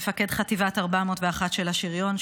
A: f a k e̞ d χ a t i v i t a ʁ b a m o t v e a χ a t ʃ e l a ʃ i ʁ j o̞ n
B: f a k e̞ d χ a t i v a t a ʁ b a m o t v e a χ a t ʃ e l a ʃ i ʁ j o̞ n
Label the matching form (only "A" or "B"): B